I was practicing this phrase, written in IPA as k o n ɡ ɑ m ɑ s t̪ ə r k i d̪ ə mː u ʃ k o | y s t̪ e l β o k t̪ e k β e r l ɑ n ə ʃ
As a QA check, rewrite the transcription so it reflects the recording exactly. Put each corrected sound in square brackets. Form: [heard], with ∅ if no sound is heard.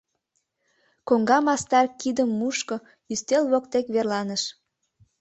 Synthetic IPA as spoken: k o [ŋ] ɡ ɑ m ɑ s t̪ [ɑ] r k i d̪ ə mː u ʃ k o | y s t̪ e l β o k t̪ e k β e r l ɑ n ə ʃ